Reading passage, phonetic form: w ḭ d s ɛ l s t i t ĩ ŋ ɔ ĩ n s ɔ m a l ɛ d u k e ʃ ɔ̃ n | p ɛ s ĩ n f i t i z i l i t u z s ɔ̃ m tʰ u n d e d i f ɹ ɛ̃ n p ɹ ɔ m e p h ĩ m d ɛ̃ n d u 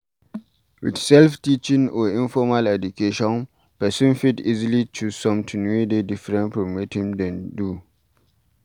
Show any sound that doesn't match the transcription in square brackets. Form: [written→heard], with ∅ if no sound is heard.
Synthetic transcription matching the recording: w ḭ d s ɛ l [s→f] t i [t→t͡ʃ] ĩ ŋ ɔ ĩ n [s→f] ɔ m a l ɛ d u k e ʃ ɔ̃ n | p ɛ s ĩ n f i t i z i l i [t→t͡ʃ] u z s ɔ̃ m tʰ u n d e d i f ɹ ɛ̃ n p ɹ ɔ m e [p→t] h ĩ m d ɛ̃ n d u